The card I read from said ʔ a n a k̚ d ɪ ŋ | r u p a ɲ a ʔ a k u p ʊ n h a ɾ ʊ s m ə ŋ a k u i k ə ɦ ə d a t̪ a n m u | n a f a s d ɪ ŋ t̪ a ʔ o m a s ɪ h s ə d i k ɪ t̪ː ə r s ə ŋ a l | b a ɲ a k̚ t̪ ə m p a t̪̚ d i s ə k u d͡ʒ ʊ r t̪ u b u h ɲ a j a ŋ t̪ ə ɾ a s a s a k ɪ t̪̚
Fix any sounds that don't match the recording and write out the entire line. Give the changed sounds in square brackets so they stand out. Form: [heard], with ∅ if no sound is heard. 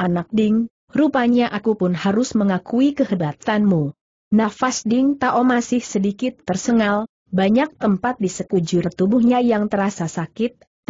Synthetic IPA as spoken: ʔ a n a k̚ d ɪ ŋ | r u p a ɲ a ʔ a k u p ʊ n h a ɾ ʊ s m ə ŋ a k u i k ə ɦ ə d a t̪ a n m u | n a f a s d ɪ ŋ t̪ a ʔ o m a s ɪ h s ə d i k ɪ t̪ː ə r s ə ŋ a l | b a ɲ a k̚ t̪ ə m p a t̪̚ d i s ə k u d͡ʒ ʊ r t̪ u b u h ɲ a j a ŋ t̪ ə ɾ a s a s a k ɪ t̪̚